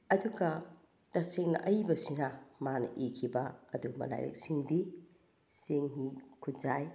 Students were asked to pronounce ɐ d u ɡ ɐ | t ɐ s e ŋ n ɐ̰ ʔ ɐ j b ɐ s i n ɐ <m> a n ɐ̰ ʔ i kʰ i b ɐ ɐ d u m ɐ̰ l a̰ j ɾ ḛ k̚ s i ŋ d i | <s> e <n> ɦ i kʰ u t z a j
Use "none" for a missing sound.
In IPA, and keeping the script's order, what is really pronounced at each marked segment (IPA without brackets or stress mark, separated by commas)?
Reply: m, s, ŋ